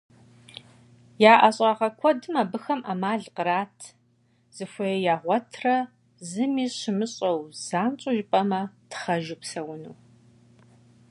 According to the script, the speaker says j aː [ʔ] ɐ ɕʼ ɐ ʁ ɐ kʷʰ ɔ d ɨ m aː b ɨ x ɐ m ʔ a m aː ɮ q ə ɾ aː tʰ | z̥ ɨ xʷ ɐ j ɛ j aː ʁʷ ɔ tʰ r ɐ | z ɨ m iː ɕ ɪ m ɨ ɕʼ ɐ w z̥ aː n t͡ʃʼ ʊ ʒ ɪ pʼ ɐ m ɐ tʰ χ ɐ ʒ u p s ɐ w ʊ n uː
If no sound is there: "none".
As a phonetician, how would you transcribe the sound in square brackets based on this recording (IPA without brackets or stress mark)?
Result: ʔ